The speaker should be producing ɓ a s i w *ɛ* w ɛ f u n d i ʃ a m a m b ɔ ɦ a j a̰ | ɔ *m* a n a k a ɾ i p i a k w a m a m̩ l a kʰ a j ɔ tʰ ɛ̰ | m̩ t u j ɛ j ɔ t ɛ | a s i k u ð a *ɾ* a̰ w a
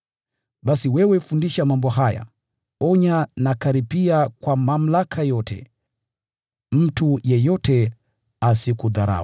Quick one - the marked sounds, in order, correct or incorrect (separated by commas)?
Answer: correct, incorrect, correct